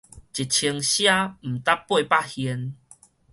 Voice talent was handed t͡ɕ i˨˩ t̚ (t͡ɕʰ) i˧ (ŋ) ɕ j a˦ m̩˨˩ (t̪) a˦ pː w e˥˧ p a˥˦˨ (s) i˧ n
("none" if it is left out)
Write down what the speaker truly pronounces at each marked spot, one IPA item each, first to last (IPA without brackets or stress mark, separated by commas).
t͡ɕʰ, ŋ, t̪, h